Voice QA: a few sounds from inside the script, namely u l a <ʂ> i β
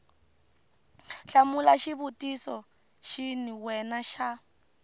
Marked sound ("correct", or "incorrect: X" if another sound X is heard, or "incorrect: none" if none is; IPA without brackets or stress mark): incorrect: ʃ